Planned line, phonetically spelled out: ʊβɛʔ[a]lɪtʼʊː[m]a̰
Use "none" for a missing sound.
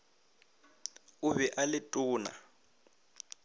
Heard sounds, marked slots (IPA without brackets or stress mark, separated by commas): a, n